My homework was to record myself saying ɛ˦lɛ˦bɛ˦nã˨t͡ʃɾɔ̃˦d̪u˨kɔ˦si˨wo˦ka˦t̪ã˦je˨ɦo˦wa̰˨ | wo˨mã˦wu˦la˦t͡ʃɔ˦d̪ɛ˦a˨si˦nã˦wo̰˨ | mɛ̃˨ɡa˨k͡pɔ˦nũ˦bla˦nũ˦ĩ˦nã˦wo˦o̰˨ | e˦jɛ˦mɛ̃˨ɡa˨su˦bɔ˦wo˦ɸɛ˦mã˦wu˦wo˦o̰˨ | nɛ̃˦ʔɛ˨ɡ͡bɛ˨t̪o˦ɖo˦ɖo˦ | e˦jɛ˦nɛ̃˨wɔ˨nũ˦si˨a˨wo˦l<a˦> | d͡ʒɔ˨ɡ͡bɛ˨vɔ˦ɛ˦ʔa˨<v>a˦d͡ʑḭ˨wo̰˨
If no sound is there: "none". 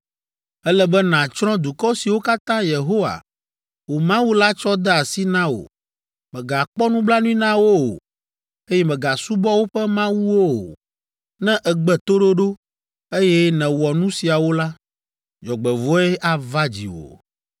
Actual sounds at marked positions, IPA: a˦, v

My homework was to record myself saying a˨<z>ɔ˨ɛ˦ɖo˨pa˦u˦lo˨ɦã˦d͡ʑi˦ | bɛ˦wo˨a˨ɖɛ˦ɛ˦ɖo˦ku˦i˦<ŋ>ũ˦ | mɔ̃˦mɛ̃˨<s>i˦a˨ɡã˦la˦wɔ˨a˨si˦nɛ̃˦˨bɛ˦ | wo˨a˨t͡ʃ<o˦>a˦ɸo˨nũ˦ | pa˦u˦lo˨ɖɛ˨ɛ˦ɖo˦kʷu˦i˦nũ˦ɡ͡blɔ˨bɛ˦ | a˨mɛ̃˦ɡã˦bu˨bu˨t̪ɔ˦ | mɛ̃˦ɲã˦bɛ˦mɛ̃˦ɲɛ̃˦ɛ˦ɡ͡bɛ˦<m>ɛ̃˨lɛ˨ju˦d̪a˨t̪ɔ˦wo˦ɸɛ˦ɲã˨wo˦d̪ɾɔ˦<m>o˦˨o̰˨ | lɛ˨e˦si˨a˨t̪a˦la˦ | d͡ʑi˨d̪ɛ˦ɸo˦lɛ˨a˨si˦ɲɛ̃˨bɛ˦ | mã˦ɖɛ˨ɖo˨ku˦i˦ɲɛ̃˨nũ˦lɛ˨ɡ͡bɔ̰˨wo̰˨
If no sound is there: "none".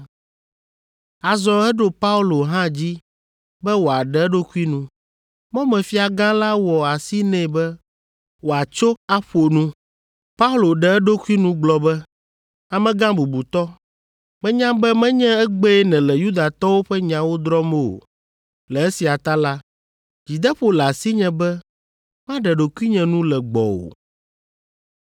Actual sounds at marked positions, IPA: z, n, f, o˦, n, m

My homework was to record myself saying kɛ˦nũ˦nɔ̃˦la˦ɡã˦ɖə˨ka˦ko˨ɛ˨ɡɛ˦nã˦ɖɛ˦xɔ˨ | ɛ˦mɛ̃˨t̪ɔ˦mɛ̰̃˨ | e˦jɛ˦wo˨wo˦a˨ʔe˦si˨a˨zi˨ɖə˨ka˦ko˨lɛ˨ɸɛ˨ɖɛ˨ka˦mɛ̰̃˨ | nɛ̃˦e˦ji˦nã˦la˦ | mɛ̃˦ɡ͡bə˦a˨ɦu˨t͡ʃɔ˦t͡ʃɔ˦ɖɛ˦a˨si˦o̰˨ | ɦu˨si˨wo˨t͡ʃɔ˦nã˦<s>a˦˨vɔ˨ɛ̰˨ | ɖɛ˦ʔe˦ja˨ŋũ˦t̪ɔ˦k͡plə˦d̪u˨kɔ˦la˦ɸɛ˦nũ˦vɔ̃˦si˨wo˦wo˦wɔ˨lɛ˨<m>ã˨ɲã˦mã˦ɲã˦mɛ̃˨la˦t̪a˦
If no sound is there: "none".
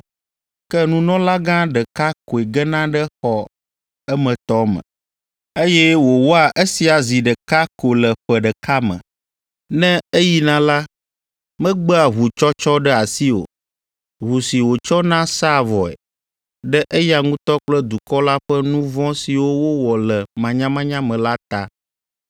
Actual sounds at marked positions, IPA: s, m

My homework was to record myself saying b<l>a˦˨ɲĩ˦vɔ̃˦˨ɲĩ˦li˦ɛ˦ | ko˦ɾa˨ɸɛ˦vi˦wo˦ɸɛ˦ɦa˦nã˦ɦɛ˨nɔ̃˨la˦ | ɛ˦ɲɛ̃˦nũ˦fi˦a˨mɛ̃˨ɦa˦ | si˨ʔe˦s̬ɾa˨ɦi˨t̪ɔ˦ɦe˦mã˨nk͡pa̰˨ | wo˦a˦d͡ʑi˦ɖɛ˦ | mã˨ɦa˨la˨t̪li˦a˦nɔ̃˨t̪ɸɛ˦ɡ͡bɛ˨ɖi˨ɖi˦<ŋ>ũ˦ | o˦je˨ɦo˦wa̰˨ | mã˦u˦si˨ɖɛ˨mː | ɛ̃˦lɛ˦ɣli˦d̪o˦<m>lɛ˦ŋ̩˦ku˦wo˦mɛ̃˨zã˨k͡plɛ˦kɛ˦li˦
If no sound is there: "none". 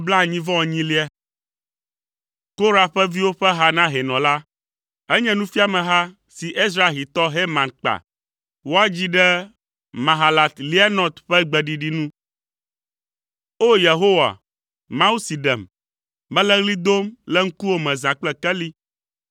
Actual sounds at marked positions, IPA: l, n, m

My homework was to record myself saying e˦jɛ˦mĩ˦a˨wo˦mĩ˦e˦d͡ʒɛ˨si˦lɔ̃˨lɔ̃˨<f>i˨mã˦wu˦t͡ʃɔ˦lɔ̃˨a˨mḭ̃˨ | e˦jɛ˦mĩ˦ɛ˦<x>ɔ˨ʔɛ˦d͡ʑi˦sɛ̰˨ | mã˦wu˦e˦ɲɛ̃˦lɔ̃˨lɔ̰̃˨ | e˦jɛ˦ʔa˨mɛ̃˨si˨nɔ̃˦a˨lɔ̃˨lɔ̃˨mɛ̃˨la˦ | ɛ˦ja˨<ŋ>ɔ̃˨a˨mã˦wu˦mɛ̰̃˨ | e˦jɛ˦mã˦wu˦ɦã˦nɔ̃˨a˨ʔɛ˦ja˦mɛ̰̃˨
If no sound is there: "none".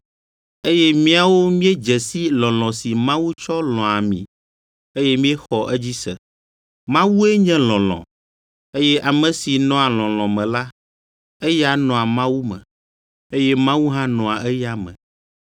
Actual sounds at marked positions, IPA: s, x, n

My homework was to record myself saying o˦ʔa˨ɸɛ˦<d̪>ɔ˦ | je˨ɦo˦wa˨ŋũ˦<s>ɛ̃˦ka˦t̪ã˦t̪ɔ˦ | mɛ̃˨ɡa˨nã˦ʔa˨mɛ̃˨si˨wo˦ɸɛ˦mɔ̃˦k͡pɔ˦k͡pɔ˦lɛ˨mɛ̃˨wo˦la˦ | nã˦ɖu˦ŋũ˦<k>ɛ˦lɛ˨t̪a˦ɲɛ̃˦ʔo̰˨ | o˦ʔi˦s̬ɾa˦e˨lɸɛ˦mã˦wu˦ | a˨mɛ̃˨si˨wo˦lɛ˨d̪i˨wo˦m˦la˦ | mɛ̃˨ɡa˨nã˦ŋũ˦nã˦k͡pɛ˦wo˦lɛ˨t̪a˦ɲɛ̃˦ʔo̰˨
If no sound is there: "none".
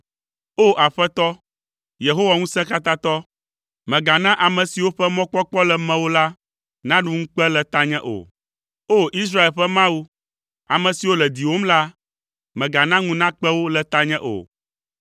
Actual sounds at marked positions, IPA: t̪, s, k͡p

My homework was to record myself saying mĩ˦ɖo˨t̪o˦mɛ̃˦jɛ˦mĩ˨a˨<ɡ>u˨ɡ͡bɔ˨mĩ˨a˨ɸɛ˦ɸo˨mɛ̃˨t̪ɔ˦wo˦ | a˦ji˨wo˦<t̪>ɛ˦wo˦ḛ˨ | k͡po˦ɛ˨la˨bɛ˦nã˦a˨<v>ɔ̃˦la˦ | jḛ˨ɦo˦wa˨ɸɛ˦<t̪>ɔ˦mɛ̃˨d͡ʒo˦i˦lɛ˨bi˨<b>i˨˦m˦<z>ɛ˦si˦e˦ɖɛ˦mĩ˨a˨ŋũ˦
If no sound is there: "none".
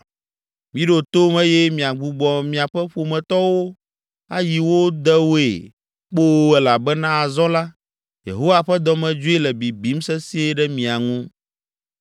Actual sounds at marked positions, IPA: ɡ͡b, d̪, z, d̪, b, s

